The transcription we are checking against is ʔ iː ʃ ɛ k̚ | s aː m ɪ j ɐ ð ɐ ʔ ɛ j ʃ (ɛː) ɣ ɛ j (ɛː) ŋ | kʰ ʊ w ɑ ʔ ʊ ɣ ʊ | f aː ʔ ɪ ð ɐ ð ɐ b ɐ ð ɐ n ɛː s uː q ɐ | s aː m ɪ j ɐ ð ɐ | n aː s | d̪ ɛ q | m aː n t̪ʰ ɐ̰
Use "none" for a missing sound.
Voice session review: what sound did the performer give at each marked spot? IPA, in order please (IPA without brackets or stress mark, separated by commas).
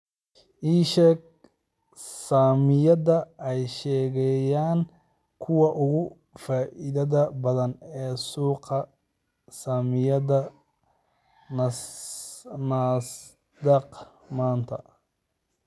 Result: ɛː, aː